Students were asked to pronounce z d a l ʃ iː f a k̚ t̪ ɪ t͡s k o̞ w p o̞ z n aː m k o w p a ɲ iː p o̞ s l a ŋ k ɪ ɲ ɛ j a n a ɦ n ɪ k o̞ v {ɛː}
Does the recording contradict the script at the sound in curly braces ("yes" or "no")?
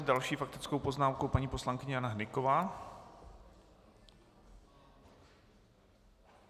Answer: yes